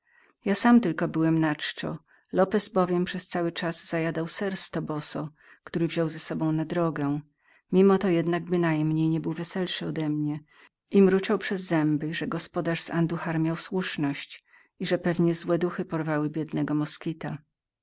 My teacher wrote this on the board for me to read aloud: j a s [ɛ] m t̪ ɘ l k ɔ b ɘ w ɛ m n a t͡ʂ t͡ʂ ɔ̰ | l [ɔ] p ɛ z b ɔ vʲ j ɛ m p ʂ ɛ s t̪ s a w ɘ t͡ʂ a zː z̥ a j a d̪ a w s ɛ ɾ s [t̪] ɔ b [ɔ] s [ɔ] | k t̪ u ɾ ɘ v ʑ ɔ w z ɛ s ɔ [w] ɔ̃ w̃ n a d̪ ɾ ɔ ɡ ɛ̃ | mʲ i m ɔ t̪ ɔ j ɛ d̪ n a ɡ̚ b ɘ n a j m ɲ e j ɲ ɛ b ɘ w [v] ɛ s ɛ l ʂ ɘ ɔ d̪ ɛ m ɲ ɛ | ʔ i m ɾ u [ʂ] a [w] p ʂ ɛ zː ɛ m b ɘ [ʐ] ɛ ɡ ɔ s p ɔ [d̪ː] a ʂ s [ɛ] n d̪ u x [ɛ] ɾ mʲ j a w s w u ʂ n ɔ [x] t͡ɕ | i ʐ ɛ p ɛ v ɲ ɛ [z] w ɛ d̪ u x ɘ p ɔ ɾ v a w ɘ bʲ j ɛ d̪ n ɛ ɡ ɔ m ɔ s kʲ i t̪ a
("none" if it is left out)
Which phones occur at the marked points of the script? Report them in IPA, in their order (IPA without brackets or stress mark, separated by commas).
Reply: a, ɔ, t̪, ɔ, ɔ, b, v, t͡ʂ, w, ʐ, d̪, a, a, ɕ, z